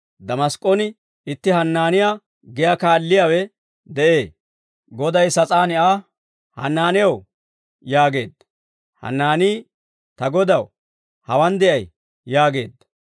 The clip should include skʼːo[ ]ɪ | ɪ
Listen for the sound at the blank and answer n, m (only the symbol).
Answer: n